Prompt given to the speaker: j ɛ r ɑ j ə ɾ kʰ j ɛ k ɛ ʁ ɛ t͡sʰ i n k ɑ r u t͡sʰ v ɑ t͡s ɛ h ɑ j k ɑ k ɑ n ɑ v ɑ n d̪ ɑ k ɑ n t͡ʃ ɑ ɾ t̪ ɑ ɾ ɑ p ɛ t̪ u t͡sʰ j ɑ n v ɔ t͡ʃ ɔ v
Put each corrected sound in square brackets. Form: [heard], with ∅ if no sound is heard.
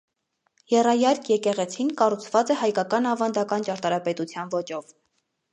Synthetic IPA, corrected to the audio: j ɛ r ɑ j [ɑ] ɾ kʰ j ɛ k ɛ ʁ ɛ t͡sʰ i n k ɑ r u t͡sʰ v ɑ t͡s ɛ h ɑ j k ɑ k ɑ n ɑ v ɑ n d̪ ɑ k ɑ n t͡ʃ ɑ ɾ t̪ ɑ ɾ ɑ p ɛ t̪ u t͡sʰ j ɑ n v ɔ t͡ʃ ɔ v